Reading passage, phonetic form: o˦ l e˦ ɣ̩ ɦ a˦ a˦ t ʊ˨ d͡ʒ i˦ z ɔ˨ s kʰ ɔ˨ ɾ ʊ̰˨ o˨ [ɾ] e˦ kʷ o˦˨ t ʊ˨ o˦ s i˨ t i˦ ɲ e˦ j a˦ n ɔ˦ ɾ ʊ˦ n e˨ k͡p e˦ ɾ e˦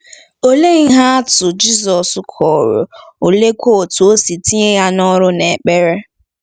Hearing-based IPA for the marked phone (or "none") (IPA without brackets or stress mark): l